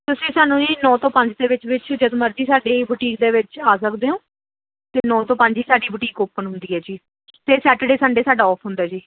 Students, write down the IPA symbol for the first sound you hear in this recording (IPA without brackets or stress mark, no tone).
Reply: t̪